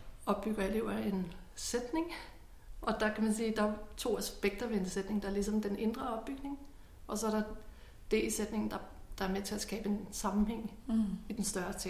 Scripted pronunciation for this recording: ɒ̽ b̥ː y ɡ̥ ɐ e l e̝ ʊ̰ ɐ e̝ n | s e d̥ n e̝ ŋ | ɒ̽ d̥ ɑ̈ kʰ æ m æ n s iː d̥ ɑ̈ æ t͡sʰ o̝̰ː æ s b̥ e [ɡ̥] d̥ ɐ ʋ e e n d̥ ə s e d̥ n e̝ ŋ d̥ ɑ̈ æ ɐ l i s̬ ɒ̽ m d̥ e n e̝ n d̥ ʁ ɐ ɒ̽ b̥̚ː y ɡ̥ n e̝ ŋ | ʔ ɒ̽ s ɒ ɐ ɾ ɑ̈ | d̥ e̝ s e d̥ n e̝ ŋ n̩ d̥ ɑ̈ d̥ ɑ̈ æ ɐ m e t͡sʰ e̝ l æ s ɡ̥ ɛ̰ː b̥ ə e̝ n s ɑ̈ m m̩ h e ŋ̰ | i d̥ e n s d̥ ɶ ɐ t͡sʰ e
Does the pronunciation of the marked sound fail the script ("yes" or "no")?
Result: no